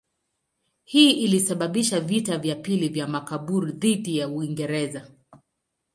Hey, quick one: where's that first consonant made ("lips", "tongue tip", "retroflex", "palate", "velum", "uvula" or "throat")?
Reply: throat